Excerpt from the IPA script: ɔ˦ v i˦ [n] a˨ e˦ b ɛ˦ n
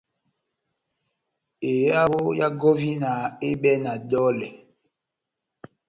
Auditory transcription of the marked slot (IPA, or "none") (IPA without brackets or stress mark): n